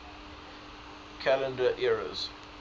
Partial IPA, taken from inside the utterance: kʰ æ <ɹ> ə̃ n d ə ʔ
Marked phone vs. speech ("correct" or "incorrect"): incorrect